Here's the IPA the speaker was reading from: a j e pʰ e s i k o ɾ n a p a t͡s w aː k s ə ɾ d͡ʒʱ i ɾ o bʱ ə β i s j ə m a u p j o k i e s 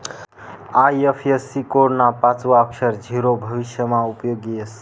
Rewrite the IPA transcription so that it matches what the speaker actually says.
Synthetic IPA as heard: a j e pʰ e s i k o ɾ n a p a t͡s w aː k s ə ɾ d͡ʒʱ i ɾ o bʱ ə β i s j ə m a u p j o ɡ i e s